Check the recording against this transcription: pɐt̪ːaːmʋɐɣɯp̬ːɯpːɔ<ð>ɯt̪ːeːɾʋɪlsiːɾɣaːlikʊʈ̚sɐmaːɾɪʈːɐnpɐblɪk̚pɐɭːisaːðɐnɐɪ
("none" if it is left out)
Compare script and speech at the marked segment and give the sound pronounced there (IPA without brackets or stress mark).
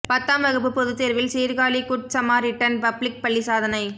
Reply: ð